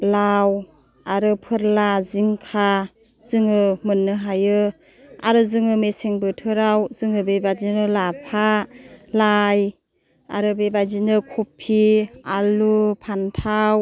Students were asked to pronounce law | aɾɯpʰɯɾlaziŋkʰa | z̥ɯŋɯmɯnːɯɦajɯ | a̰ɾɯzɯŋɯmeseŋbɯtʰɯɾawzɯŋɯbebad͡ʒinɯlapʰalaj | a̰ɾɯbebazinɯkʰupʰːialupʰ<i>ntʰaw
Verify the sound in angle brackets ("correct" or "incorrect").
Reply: incorrect